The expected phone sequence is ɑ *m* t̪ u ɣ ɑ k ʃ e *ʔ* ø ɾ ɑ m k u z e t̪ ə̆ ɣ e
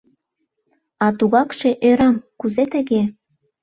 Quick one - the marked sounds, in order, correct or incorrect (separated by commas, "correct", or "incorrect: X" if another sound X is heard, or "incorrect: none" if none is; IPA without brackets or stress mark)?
incorrect: none, correct